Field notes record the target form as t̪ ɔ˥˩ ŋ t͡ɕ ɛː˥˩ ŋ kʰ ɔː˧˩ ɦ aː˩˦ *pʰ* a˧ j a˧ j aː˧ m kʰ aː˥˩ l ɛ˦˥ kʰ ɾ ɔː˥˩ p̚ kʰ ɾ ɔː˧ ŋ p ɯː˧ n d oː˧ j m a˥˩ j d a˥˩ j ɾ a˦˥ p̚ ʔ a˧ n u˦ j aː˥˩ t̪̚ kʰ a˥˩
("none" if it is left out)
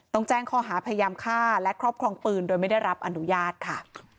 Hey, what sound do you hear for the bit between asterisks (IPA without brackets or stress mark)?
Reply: pʰ